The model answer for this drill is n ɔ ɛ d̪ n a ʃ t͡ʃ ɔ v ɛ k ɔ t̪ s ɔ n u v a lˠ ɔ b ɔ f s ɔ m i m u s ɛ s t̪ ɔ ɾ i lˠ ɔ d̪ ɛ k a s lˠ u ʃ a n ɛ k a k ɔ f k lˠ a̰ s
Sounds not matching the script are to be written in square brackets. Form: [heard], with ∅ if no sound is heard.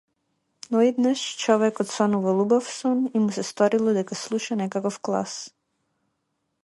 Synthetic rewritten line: n ɔ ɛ d̪ n a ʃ t͡ʃ ɔ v ɛ k ɔ t̪ s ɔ n u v a lˠ [u] b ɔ f s ɔ [n] i m u s ɛ s t̪ ɔ ɾ i lˠ ɔ d̪ ɛ k a s lˠ u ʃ a n ɛ k a k ɔ f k lˠ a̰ s